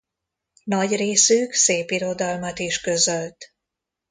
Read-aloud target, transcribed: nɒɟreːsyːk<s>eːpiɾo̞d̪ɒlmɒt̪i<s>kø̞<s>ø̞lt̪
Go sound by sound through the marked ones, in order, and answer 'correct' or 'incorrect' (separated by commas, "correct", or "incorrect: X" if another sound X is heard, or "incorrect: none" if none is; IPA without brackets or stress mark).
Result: correct, incorrect: ʃ, incorrect: z